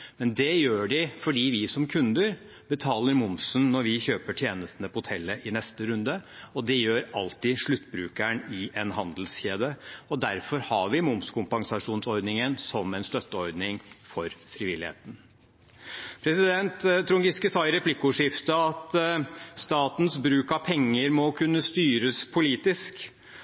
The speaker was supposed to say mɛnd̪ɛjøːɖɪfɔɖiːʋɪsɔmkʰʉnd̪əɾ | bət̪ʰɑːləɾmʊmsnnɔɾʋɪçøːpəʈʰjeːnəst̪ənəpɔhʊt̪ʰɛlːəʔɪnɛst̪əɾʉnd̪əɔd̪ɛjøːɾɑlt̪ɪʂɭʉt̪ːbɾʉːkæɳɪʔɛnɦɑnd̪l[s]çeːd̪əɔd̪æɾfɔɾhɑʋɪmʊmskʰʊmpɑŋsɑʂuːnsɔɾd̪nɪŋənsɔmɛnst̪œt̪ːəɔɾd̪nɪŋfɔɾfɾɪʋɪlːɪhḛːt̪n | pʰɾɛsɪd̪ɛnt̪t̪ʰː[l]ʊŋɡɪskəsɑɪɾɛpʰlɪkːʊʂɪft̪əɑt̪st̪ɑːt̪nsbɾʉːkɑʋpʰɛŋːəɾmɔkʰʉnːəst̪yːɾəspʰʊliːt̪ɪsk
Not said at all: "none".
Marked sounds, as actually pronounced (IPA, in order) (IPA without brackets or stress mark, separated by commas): s, ɾ